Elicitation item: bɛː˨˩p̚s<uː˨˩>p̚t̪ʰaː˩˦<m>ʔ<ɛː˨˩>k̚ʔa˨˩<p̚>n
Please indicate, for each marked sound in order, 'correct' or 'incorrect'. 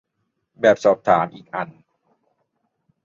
incorrect: ɔː˨˩, correct, incorrect: iː˨˩, incorrect: none

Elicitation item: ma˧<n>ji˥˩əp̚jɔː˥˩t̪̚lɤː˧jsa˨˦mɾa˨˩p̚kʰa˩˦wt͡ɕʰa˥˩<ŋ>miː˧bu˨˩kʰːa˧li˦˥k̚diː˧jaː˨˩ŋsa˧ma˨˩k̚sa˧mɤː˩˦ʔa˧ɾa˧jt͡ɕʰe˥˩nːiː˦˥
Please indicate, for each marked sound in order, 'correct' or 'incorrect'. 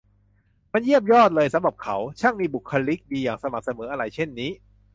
correct, correct

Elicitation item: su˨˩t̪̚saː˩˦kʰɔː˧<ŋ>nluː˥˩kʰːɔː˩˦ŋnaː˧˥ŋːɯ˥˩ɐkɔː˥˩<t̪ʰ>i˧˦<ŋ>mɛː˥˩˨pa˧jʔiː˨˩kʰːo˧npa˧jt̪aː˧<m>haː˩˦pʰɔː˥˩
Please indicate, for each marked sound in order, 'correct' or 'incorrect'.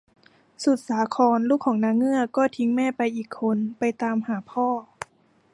incorrect: none, correct, correct, correct

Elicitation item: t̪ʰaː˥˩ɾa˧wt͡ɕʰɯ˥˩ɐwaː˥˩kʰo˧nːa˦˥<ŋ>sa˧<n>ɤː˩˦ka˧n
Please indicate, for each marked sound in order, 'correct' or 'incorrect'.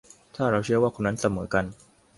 incorrect: n, incorrect: m

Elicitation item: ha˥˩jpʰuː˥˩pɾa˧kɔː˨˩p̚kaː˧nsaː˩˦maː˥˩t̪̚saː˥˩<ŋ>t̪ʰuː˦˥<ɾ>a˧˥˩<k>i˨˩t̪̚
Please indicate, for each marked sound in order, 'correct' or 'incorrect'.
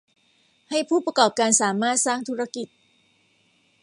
correct, correct, correct

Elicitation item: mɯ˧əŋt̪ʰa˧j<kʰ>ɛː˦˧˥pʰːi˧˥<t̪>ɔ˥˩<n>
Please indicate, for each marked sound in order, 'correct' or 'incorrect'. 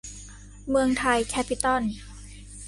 correct, correct, correct

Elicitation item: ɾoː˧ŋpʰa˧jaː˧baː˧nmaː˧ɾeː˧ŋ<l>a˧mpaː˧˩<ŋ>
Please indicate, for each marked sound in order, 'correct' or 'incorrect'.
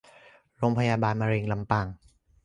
correct, correct

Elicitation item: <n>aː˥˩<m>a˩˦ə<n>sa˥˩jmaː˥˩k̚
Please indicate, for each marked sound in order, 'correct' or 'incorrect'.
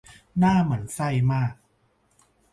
correct, correct, correct

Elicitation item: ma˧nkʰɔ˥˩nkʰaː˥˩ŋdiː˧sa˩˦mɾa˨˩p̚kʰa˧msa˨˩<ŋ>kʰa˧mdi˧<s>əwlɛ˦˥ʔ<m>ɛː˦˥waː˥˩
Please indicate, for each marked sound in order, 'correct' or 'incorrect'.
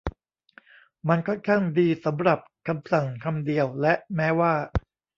correct, incorrect: none, correct

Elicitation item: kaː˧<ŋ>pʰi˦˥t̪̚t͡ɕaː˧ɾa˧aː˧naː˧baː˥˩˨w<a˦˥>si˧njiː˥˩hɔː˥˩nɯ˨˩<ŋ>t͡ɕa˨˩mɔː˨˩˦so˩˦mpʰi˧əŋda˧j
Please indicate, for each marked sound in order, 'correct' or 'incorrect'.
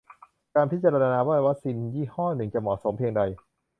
incorrect: n, correct, correct

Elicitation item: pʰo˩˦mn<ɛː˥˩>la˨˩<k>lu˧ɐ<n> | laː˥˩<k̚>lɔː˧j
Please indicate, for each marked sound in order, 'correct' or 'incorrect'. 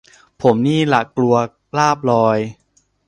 incorrect: iː˥˩, correct, incorrect: none, incorrect: p̚

